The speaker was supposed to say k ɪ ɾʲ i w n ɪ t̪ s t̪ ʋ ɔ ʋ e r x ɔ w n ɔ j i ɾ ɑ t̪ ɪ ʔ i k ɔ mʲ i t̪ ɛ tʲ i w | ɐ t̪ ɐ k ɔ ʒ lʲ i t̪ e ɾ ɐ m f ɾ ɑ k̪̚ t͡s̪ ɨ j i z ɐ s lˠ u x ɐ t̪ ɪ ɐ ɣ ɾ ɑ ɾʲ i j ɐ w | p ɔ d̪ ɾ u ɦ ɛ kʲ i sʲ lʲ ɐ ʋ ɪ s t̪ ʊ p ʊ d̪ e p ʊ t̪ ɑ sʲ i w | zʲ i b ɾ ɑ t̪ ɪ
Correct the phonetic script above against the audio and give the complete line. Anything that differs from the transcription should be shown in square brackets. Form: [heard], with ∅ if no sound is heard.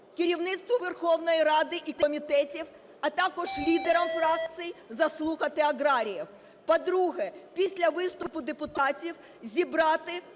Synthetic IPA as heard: k ɪ ɾʲ i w n ɪ t̪ s t̪ ʋ ɔ ʋ e r x ɔ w n ɔ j i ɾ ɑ [d̪] ɪ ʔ i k ɔ mʲ i t̪ ɛ tʲ i w | ɐ t̪ [ɑ] k ɔ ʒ lʲ i [d̪] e ɾ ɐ m f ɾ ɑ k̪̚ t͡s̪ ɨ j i z ɐ s lˠ u x ɐ t̪ ɪ ɐ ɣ ɾ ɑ ɾʲ i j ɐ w | p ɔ d̪ ɾ u ɦ ɛ [pʲ] i sʲ lʲ ɐ ʋ ɪ s t̪ ʊ p ʊ d̪ e p ʊ t̪ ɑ [tʲ] i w | zʲ i b ɾ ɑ t̪ ɪ